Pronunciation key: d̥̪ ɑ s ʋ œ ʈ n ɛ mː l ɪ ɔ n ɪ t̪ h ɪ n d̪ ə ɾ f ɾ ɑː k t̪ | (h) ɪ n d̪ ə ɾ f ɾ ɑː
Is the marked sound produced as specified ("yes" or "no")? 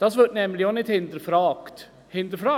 yes